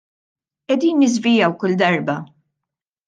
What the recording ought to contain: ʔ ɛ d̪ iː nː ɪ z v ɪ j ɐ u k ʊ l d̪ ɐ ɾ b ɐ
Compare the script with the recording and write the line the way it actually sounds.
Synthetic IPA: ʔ ɛ d̪ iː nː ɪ z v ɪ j ɐ w k ʊ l d̪ ɐ ɾ b ɐ

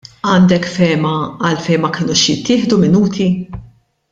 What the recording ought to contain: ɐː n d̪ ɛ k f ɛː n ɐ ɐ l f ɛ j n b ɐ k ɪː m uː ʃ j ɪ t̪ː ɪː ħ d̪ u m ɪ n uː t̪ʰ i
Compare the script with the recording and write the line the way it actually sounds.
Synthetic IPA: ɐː n d̪ ɛ k f ɛː m ɐ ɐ l f ɛ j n m ɐ k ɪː n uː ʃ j ɪ t̪ː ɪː ħ d̪ u m ɪ n uː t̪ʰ i

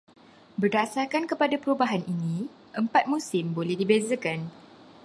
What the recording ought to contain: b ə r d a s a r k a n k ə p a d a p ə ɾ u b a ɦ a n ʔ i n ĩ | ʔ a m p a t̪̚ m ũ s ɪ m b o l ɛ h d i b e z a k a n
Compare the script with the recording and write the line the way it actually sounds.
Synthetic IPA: b ə r d a s a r k a n k ə p a d a p ə ɾ u b a ɦ a n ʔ i n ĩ | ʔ ə m p a t̪̚ m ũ s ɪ m b o l ɛ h d i b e z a k a n

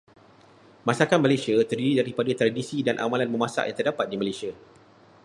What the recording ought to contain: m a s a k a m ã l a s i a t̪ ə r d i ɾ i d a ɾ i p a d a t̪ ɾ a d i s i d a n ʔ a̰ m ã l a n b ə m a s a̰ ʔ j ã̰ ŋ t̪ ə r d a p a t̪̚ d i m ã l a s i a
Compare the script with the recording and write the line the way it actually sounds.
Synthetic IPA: m a s a k a m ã l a s i a t̪ ə r d i ɾ i d a ɾ i p a d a t̪ ɾ a d i s i d a n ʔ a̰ m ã l a n m ə m a s a̰ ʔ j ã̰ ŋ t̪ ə r d a p a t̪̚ d i m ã l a s i a

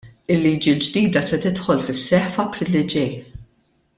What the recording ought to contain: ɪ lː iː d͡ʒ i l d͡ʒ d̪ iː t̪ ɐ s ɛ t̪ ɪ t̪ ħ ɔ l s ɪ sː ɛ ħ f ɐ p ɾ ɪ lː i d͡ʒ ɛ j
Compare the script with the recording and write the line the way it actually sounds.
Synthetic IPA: ɪ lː iː d͡ʒ i l d͡ʒ d̪ iː d̪ ɐ s ɛ t̪ ɪ t̪ ħ ɔ l f ɪ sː ɛ ħ f ɐ p ɾ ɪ lː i d͡ʒ ɛ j

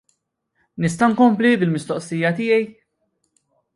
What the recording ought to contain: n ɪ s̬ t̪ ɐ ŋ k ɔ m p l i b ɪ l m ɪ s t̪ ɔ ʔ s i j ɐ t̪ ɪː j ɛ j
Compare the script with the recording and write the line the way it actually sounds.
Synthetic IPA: n ɪ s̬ t̪ ɐ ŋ k ɔ m p l i b ɪ l m ɪ s t̪ ɔ ʔ s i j ɐ t̪ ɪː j ɛ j

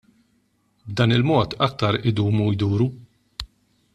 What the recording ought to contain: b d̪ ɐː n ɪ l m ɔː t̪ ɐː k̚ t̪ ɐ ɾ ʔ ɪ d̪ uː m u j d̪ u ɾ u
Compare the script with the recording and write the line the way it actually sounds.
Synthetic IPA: b d̪ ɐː n ɪ l m ɔː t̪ ɐ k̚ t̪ ɐ ɾ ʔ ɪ d̪ uː m u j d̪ uː ɾ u

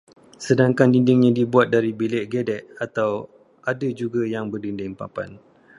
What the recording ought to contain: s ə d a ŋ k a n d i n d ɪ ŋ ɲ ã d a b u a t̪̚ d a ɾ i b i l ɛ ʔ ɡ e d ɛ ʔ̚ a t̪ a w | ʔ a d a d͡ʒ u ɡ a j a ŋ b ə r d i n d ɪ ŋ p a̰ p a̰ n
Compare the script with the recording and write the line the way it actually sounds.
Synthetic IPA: s ə d a ŋ k a n d i n d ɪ ŋ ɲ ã d i b u a t̪̚ d a ɾ i b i l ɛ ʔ ɡ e d ɛ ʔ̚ a t̪ a w | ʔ a d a d͡ʒ u ɡ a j a ŋ b ə r d i n d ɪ ŋ p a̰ p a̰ n

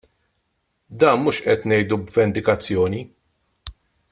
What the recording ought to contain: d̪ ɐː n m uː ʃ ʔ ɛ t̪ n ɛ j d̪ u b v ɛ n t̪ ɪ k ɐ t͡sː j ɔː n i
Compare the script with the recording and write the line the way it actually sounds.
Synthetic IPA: d̪ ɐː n m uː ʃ ʔ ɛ t̪ n ɛ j d̪ u b v ɛ n d̪ ɪ k ɐ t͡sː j ɔː n i

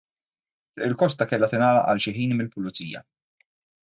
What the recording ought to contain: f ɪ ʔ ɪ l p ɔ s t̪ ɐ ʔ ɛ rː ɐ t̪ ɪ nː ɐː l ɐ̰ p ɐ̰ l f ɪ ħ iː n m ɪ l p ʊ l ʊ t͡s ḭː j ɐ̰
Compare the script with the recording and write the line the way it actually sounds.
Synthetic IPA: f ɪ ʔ ɪ l k ɔ s t̪ ɐ k ɛ lː ɐ t̪ ɪ n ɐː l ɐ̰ ʔ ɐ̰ l ʃ ɪ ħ iː n m ɪ l p ʊ l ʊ t͡s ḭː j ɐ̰

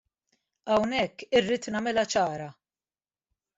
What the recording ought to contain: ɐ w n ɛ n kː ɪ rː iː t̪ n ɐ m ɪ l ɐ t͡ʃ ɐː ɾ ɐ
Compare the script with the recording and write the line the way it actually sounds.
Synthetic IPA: ɐ w n ɛ kː ɪ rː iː t̪ n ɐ m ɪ l ɐ t͡ʃ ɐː ɾ ɐ

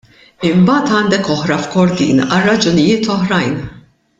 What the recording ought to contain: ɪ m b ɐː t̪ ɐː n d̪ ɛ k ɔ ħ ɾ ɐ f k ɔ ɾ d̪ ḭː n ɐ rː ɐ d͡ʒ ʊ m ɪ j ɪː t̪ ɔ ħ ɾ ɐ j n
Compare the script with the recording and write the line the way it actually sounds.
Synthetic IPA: ɪ m b ɐː t̪ ɐː n d̪ ɛ k ɔ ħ ɾ ɐ f k ɔ ɾ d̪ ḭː n ɐ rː ɐ d͡ʒ ʊ n ɪ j ɪː t̪ ɔ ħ ɾ ɐ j n

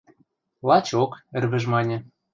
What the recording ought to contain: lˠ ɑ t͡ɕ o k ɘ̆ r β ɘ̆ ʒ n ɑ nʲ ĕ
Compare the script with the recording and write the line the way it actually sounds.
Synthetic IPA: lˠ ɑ t͡ɕ o k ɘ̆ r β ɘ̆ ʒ m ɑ nʲ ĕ

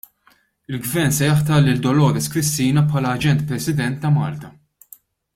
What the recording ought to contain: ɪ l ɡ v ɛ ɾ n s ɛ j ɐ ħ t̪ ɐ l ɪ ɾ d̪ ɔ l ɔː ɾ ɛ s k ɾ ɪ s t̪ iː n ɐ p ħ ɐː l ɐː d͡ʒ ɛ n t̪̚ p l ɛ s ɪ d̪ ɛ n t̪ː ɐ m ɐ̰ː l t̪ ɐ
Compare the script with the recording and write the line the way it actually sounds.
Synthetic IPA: ɪ l ɡ v ɛ ɾ n s ɛ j ɐ ħ t̪ ɐ l ɪ l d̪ ɔ l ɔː ɾ ɛ s k ɾ ɪ s t̪ iː n ɐ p ħ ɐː l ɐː d͡ʒ ɛ n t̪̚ p ɾ ɛ s ɪ d̪ ɛ n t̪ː ɐ m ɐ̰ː l t̪ ɐ

